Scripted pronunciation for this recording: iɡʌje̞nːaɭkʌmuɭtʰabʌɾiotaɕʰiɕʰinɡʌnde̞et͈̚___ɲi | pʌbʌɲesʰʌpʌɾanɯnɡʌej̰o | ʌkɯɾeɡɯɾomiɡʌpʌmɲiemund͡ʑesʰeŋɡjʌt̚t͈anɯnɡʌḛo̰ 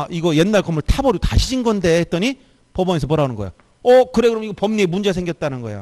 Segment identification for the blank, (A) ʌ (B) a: A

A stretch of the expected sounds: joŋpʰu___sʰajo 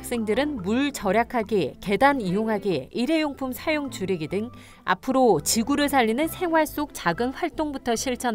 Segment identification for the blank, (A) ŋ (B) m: B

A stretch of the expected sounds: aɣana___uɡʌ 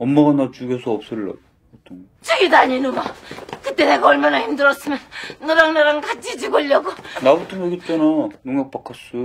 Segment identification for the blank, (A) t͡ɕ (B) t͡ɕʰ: A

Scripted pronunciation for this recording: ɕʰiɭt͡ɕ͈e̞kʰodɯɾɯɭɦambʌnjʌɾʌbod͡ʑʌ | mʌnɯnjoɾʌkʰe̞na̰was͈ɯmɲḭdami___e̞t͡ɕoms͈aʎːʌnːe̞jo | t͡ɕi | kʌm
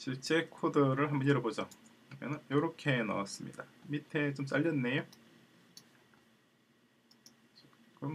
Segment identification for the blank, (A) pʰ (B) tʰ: B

